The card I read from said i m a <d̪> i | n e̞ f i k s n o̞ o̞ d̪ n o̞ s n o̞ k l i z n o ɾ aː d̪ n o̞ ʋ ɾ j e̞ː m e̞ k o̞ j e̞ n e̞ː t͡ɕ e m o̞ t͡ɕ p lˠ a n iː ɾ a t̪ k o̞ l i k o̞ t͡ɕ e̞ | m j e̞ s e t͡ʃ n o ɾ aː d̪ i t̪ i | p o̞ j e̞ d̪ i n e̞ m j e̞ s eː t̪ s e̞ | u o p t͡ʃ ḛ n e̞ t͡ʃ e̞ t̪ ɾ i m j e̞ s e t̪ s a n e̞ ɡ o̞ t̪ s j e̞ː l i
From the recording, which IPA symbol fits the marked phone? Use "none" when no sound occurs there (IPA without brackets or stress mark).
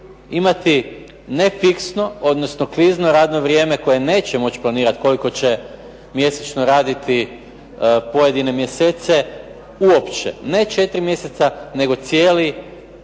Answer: t̪